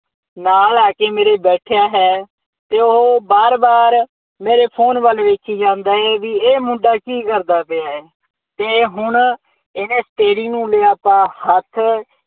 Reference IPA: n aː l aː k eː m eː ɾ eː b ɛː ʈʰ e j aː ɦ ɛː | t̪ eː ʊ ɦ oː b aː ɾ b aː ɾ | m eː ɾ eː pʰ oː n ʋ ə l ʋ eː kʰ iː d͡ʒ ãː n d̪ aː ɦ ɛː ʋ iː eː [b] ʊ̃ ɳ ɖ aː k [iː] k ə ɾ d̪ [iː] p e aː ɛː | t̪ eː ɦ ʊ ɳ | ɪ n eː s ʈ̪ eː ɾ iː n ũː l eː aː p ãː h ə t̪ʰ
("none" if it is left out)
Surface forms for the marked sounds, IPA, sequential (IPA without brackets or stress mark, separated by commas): m, iː, aː